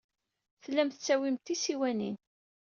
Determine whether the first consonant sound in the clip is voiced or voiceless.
voiceless